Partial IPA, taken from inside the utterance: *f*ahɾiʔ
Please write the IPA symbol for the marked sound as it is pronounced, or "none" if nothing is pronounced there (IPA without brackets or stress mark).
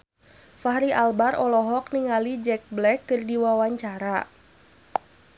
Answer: f